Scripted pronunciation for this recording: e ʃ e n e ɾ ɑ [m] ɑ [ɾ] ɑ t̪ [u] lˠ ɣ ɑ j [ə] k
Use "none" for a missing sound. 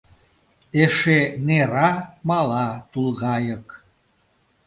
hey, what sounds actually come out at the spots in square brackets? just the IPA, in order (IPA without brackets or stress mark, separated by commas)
m, l, u, ə